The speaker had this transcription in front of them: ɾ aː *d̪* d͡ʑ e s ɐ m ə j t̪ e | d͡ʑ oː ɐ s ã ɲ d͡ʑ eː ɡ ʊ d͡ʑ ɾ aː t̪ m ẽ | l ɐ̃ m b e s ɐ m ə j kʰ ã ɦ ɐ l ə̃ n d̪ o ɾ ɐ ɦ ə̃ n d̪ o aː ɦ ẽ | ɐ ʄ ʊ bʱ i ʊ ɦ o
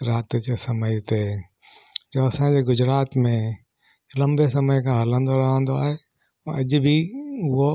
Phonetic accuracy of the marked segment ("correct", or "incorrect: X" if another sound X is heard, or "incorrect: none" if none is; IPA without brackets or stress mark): incorrect: t̪